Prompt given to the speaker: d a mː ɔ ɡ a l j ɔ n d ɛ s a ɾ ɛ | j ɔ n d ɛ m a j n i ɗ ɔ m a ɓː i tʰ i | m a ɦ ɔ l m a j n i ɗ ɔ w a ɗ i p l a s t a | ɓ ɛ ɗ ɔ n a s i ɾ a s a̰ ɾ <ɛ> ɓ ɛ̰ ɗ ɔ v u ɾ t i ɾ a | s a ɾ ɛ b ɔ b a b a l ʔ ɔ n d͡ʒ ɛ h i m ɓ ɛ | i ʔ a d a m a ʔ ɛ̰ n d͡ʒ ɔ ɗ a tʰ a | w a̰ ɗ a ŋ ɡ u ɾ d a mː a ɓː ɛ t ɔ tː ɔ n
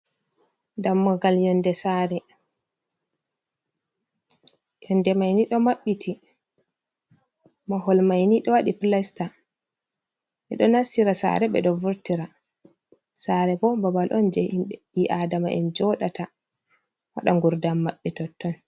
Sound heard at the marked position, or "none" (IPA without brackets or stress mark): ɛ